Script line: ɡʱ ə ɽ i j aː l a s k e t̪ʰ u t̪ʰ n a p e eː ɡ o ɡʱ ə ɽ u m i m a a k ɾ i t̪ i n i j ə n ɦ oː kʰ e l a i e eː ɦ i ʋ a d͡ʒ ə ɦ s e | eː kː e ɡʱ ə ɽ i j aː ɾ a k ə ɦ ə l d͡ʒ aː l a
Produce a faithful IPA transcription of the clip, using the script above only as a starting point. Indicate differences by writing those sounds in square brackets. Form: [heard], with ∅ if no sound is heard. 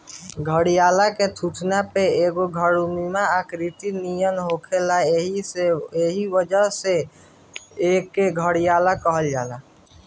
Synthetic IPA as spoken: ɡʱ ə ɽ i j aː l a [∅] k e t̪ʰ u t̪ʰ n a p e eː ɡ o ɡʱ ə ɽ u m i m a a k ɾ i t̪ i n i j ə n ɦ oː kʰ e l a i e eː ɦ i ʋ [ə] d͡ʒ ə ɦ s e | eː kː e ɡʱ ə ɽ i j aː [l] a k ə ɦ ə l d͡ʒ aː l a